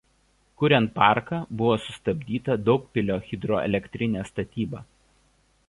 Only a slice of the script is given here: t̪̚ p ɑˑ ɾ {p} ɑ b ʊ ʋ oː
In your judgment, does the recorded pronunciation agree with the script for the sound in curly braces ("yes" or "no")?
no